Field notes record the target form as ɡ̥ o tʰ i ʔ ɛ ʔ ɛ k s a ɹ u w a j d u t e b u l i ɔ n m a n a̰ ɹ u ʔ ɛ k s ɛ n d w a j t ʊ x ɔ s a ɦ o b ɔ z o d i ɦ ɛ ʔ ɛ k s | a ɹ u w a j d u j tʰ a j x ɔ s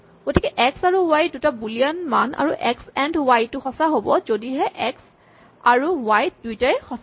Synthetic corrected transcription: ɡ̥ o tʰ i k ɛ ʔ ɛ k s a ɹ u w a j d u t a b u l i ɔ n m a n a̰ ɹ u ʔ ɛ k s ɛ n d w a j t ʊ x ɔ s a ɦ o b ɔ z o d i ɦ ɛ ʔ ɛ k s | a ɹ u w a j d u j t a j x ɔ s